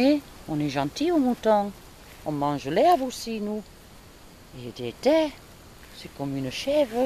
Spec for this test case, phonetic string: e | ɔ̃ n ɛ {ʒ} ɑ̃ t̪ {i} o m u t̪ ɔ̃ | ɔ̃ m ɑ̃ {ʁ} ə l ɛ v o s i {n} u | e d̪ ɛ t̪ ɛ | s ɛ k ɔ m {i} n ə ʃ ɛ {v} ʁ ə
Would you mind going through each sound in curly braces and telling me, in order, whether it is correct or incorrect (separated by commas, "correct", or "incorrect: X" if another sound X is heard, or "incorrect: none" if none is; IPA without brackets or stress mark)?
correct, correct, incorrect: ʒ, correct, incorrect: y, correct